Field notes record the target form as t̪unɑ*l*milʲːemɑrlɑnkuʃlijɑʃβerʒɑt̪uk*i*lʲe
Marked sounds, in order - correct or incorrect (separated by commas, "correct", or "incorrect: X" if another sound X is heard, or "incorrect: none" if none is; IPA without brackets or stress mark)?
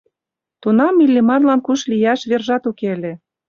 incorrect: none, incorrect: e